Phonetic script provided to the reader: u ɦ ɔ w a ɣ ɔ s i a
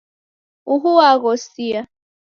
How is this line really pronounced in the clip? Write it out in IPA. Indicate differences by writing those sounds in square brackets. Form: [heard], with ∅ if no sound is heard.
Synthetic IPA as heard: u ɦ [u] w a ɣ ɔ s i a